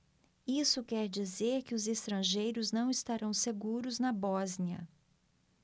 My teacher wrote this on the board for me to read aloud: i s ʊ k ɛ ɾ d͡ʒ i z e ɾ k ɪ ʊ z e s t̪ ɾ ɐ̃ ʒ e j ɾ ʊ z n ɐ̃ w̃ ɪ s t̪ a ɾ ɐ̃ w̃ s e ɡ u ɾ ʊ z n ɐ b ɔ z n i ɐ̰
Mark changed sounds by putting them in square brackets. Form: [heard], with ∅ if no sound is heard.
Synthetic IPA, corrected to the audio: i s ʊ k ɛ ɾ d͡ʒ i z e ɾ k ɪ ʊ z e s t̪ ɾ ɐ̃ ʒ e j ɾ ʊ z n ɐ̃ w̃ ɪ s t̪ a ɾ ɐ̃ w̃ s e ɡ u ɾ ʊ z n ɐ b ɔ z n i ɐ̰